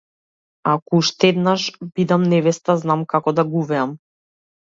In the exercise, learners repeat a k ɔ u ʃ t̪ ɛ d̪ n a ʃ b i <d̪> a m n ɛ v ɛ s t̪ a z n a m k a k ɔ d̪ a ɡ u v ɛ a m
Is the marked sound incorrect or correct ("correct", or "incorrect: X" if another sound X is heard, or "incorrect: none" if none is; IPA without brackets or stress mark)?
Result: correct